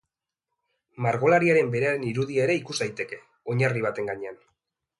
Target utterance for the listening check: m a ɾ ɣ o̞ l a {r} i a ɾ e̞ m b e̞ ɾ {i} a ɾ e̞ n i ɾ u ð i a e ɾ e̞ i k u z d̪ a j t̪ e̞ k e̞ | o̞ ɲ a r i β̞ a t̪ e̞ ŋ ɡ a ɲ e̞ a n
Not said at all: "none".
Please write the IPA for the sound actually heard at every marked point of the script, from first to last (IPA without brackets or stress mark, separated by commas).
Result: ɾ, e